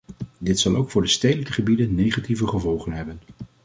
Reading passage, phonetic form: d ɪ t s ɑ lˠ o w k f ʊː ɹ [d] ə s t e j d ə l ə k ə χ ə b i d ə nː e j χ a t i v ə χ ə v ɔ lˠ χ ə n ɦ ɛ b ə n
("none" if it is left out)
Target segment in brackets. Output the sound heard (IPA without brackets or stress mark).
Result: d